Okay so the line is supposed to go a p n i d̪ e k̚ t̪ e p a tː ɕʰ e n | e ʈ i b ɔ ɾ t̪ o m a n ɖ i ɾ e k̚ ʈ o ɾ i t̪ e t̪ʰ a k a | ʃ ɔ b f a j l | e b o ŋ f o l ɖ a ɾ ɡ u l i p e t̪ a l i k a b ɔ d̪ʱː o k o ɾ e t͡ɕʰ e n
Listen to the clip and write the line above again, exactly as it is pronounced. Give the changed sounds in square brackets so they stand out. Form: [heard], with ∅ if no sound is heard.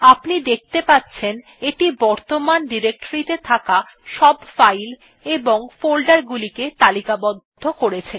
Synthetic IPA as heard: a p n i d̪ e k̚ t̪ e p a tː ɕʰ e n | e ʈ i b ɔ ɾ t̪ o m a n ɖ i ɾ e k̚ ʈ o ɾ i t̪ e t̪ʰ a k a | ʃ ɔ b f a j l | e b o ŋ f o l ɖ a ɾ ɡ u l i [k] e t̪ a l i k a b ɔ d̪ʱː o k o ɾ e t͡ɕʰ e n

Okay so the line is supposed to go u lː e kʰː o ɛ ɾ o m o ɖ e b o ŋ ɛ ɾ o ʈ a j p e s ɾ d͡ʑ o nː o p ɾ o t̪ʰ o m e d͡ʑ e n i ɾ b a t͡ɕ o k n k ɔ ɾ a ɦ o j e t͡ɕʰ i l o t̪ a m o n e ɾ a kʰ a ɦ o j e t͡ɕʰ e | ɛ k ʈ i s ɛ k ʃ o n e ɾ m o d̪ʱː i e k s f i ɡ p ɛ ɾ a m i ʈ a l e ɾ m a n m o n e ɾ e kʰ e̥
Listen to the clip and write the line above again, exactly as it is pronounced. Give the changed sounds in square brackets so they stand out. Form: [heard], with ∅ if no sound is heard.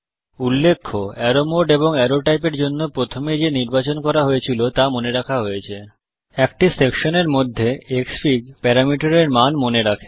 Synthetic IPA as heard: u lː e kʰː o ɛ ɾ o m o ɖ e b o ŋ ɛ ɾ o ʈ a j p e [∅] ɾ d͡ʑ o nː o p ɾ o t̪ʰ o m e d͡ʑ e n i ɾ b a t͡ɕ o [∅] n k ɔ ɾ a ɦ o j e t͡ɕʰ i l o t̪ a m o n e ɾ a kʰ a ɦ o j e t͡ɕʰ e | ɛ k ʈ i s [e] k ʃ o n e ɾ m o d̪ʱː [e] e k s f i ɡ p ɛ ɾ a m i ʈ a [ɾ] e ɾ m a n m o n e ɾ [a] kʰ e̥

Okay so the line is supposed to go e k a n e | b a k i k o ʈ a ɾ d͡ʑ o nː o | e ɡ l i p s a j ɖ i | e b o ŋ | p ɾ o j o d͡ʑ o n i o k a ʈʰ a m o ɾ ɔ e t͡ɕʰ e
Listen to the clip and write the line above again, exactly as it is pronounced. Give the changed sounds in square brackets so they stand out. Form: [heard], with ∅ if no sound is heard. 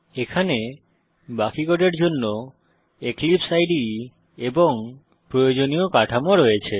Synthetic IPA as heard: e [kʰ] a n e | b a k i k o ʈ [e] ɾ d͡ʑ o nː o | e [k] l i p s a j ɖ i | e b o ŋ | p ɾ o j o d͡ʑ o n i o k a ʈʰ a m o ɾ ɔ e t͡ɕʰ e

